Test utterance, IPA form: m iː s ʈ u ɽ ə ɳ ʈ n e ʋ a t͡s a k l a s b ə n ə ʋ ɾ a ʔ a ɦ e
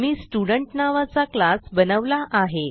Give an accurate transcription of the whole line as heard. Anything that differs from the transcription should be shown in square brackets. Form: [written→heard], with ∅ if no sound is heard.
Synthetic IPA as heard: m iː s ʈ u ɽ ə ɳ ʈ n [e→a] ʋ a t͡s a k l a s b ə n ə ʋ [ɾ→l] a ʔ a ɦ e

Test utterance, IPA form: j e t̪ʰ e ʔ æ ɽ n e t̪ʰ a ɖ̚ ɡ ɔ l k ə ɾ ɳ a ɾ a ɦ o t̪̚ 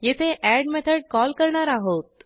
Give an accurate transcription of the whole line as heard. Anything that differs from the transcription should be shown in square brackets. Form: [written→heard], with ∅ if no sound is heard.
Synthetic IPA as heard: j e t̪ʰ e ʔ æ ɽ [n→m] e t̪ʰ [a→ə] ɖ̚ [ɡ→k] ɔ l k ə ɾ ɳ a ɾ a ɦ o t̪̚

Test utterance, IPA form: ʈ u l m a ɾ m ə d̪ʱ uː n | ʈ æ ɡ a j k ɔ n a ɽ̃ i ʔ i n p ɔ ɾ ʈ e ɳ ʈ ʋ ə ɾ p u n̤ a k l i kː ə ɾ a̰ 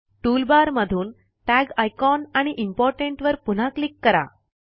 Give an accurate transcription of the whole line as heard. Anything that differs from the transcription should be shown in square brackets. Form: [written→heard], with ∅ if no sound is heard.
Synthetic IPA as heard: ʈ u l [m→b] a ɾ m ə d̪ʱ uː n | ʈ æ ɡ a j k ɔ n a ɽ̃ i ʔ i [n→m] p ɔ ɾ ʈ e ɳ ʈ ʋ ə ɾ p u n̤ a k l i kː ə ɾ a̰

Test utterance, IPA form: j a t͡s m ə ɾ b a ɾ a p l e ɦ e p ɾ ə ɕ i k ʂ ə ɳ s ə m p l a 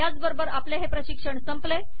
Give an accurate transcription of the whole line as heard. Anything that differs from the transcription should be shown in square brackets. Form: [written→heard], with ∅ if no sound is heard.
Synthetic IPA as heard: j a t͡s [m→b] ə ɾ b [a→ə] ɾ a p l e ɦ e p ɾ ə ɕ i k ʂ ə ɳ s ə m p l [a→e]

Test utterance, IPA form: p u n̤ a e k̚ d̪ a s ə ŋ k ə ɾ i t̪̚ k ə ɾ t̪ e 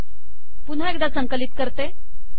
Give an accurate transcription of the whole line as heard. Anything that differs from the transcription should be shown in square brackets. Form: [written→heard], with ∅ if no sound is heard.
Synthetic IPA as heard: p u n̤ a e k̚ d̪ a s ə ŋ k ə [ɾ→l] i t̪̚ k ə ɾ t̪ e

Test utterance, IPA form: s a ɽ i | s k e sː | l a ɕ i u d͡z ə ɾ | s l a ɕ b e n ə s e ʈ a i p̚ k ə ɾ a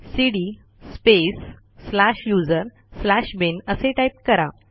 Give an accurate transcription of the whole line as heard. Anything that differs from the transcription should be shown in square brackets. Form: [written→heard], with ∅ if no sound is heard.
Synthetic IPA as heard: s [a→i] ɽ i | s [k→p] e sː | l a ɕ [i→j] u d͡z ə ɾ | s l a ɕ b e n ə s e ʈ a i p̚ k ə ɾ a

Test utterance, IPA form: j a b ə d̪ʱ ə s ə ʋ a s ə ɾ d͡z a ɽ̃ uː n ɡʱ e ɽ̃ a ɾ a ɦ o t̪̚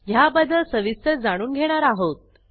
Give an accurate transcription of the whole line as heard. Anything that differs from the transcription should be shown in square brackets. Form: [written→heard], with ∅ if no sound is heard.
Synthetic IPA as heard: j a b ə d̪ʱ ə s ə ʋ [a→i] s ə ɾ d͡z a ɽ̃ uː n ɡʱ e ɽ̃ a ɾ a ɦ o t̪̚

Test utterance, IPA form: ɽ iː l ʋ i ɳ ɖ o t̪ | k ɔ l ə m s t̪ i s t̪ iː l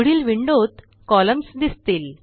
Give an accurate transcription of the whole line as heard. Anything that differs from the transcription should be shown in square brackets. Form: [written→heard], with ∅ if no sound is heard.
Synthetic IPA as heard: ɽ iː l ʋ i ɳ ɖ o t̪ | k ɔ l ə m s [t̪→d̪] i s t̪ iː l

